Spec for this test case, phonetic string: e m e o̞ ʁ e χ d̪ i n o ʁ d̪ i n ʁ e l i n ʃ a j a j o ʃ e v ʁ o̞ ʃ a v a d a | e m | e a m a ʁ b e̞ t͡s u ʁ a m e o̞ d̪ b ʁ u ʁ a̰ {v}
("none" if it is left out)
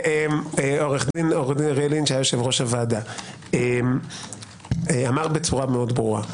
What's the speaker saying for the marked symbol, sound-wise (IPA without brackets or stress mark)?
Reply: none